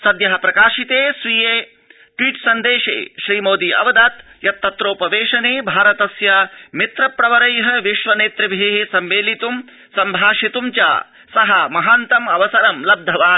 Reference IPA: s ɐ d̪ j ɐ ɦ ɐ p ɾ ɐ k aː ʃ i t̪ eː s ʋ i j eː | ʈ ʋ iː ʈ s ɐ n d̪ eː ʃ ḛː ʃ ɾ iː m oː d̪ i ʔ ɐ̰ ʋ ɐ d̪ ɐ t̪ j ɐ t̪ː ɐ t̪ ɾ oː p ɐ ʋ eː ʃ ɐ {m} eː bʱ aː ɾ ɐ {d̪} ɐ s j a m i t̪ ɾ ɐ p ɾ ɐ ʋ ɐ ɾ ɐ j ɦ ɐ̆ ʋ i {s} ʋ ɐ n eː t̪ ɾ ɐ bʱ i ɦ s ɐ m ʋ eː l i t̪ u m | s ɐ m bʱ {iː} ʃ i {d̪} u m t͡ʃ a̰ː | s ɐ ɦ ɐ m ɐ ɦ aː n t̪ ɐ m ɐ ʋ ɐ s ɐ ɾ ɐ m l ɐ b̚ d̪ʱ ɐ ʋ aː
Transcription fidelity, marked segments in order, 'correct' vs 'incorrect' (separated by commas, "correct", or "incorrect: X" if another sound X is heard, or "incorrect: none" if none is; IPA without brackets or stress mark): incorrect: n, incorrect: t̪, incorrect: ʃ, incorrect: aː, incorrect: t̪